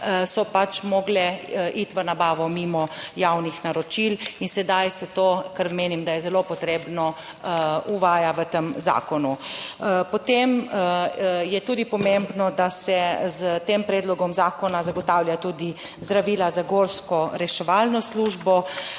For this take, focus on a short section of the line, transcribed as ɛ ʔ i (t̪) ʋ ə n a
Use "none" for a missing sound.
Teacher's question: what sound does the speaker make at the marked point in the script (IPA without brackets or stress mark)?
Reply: t̪